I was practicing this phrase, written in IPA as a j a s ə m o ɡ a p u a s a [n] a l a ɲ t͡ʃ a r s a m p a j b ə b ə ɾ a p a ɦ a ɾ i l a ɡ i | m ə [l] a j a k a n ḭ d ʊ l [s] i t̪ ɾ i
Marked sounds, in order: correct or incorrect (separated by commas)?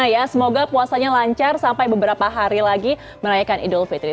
incorrect, incorrect, incorrect